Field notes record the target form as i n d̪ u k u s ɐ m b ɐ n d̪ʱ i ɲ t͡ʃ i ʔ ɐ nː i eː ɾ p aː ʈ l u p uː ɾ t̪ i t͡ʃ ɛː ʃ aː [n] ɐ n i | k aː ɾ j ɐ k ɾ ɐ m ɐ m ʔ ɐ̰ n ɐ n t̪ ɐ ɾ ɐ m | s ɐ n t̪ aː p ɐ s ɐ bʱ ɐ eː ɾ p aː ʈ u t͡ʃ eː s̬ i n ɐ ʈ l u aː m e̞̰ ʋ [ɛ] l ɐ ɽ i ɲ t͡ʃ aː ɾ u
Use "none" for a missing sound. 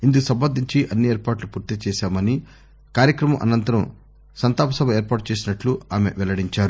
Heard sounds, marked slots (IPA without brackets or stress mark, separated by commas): m, ɛ